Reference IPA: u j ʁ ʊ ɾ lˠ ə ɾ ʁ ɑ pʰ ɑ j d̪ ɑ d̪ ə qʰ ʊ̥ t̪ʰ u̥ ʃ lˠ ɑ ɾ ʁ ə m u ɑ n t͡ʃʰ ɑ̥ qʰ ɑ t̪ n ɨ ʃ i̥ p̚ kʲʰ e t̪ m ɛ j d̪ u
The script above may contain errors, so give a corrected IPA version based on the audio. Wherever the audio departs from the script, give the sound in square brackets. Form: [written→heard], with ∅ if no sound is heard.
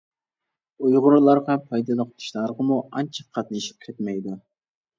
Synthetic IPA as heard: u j ʁ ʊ ɾ lˠ [ə→ɑ] ɾ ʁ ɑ pʰ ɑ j d̪ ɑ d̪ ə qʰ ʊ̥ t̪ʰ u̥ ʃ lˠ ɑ ɾ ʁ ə m u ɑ n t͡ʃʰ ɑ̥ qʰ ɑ t̪ n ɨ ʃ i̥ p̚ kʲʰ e t̪ m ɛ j d̪ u